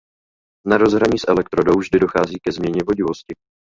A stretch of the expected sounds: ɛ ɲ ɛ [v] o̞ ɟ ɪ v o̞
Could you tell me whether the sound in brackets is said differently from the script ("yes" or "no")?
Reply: no